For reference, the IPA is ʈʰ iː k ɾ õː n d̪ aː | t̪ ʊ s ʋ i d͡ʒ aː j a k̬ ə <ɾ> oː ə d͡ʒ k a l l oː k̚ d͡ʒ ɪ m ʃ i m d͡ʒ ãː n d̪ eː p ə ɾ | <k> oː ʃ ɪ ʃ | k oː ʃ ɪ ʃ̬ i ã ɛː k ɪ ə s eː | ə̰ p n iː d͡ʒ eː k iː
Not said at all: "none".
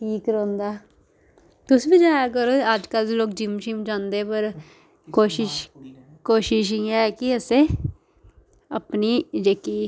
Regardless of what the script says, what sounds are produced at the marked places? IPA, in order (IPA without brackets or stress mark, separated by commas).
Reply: ɾ, k